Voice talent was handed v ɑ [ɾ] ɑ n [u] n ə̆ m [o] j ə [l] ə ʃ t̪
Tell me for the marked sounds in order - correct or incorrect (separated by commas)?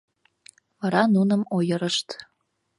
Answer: correct, correct, correct, incorrect